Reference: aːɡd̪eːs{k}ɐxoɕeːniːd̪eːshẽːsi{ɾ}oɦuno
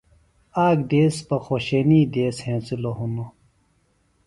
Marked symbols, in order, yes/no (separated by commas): no, no